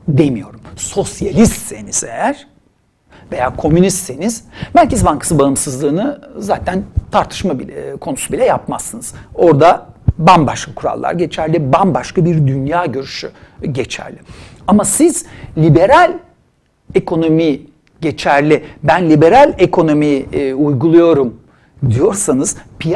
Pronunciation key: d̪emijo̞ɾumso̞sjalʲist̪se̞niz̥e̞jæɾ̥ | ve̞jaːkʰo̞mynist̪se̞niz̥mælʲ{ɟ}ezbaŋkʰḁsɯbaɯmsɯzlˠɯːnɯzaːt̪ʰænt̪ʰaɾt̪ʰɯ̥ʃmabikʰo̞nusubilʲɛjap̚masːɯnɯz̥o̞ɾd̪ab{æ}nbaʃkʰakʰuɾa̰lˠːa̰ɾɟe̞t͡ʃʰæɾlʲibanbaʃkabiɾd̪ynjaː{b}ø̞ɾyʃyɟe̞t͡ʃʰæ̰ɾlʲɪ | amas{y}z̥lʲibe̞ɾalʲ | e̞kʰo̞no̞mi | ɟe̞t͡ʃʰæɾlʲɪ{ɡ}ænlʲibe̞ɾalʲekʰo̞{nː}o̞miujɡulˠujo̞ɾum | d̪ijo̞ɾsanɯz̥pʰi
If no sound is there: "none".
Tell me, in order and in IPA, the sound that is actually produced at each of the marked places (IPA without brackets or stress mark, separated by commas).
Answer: c, a, ɟ, i, b, n